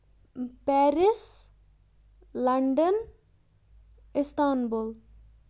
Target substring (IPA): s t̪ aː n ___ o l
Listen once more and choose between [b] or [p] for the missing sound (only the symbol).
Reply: b